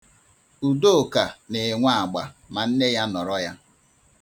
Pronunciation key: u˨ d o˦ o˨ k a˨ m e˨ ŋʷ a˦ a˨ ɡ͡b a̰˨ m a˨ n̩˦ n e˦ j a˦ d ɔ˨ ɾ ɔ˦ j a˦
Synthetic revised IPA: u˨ d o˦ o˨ k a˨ n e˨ ŋʷ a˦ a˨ ɡ͡b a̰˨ m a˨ n̩˦ n e˦ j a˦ n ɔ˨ ɾ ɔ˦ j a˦